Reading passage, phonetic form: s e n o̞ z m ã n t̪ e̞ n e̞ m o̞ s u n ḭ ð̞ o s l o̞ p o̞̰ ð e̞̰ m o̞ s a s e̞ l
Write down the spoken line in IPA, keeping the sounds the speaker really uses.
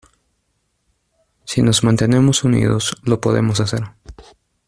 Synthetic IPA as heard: s i n o̞ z m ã n t̪ e̞ n e̞ m o̞ s u n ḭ ð̞ o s l o̞ p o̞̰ ð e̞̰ m o̞ s a s e̞ ɾ

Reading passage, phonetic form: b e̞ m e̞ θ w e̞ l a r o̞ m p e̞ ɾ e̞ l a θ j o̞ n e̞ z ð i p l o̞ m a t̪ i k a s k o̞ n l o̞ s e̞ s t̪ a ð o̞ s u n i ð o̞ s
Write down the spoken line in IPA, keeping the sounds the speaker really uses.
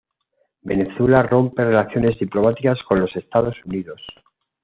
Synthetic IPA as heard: b e̞ n e̞ θ w e̞ l a r o̞ m p e̞ r e̞ l a θ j o̞ n e̞ z ð i p l o̞ m a t̪ i k a s k o̞ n l o̞ s e̞ s t̪ a ð o̞ s u n i ð o̞ s

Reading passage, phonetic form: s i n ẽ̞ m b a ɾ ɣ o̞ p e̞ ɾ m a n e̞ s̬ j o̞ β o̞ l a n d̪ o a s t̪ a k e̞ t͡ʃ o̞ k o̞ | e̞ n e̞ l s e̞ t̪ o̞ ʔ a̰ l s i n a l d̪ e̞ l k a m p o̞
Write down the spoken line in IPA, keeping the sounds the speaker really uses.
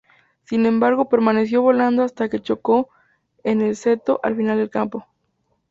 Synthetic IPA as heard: s i n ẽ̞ m b a ɾ ɣ o̞ p e̞ ɾ m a n e̞ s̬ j o̞ β o̞ l a n d̪ o a s t̪ a k e̞ t͡ʃ o̞ k o̞ | e̞ n e̞ l s e̞ t̪ o̞ ʔ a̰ l f i n a l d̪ e̞ l k a m p o̞

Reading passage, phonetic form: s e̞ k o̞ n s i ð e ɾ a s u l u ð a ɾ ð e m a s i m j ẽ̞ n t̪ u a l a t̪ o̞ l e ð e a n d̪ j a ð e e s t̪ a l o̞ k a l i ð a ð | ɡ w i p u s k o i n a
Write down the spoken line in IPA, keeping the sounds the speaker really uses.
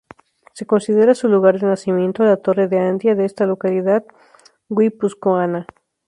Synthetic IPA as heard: s e̞ k o̞ n s i ð e ɾ a s u l u ɣ a ɾ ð e n a s i m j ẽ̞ n t̪ o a l a t̪ o̞ r e ð e a n d̪ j a ð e e s t̪ a l o̞ k a l i ð a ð | ɡ w i p u s k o a n a

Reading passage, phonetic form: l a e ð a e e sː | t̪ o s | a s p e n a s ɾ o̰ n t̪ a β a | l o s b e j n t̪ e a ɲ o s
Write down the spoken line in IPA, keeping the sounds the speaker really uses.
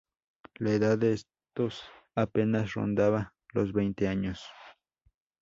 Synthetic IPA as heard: l a e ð a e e s | t̪ o s | a p e n a s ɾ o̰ n d̪ a β a | l o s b e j n t̪ e a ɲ o s

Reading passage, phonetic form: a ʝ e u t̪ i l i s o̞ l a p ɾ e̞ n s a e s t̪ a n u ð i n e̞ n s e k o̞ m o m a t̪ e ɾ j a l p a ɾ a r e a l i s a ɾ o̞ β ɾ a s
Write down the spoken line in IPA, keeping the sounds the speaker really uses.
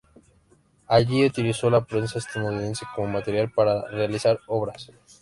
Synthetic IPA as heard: a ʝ i u t̪ i l i s o̞ l a p ɾ e̞ n s a e s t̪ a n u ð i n e̞ n s e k o̞ m o m a t̪ e ɾ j a l p a ɾ a r e a l i s a ɾ o̞ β ɾ a s

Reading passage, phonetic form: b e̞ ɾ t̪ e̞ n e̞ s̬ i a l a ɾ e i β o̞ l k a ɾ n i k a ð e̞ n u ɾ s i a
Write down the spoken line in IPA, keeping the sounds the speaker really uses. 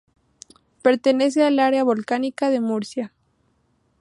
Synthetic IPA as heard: p e̞ ɾ t̪ e̞ n e̞ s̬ e a l a ɾ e a β o̞ l k a n i k a ð e̞ m u ɾ s j a

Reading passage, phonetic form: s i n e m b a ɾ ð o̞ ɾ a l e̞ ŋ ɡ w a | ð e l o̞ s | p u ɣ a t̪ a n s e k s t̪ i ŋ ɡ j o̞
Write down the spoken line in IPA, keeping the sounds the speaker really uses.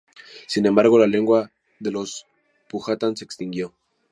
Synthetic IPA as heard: s i n e m b a ɾ ɣ o̞ l a l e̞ ŋ ɡ w a | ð e l o̞ s | p u x a t̪ a n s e k s t̪ i ŋ ɡ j o̞

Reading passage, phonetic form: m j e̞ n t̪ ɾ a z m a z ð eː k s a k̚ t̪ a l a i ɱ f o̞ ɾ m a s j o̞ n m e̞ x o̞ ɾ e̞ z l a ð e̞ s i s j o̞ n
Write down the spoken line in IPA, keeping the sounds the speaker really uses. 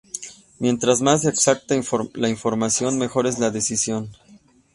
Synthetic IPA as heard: m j e̞ n t̪ ɾ a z m a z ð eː k s a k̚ t̪ a l a i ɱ f o̞ ɾ m a s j o̞ n m e̞ x o̞ ɾ e̞ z l a ð e̞ s i s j o̞ n

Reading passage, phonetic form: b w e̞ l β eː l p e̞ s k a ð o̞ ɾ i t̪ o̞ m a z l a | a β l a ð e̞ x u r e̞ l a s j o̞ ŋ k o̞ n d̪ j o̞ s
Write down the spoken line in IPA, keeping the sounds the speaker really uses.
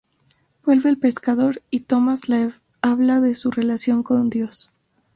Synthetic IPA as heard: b w e̞ l β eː l p e̞ s k a ð o̞ ɾ i t̪ o̞ m a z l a | a β l a ð e̞ s u r e̞ l a s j o̞ ŋ k o̞ n d̪ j o̞ s

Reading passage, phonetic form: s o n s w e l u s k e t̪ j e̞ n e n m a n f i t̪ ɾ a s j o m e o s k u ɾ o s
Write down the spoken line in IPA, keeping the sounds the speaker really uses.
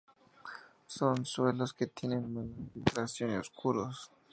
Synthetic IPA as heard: s o n s w e l o s k e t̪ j e̞ n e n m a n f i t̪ ɾ a s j o n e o s k u ɾ o s

